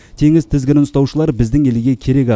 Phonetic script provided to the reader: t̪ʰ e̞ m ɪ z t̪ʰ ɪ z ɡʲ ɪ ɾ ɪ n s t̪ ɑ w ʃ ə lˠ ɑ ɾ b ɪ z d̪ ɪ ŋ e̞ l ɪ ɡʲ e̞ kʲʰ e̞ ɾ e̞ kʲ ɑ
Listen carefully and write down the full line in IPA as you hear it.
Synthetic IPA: t̪ʰ e̞ ŋ ɪ z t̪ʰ ɪ z ɡʲ ɪ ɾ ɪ n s t̪ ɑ w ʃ ə lˠ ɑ ɾ b ɪ z d̪ ɪ ŋ e̞ l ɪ ɡʲ e̞ kʲʰ e̞ ɾ e̞ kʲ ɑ